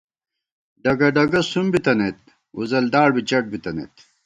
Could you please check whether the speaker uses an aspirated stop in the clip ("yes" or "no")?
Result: no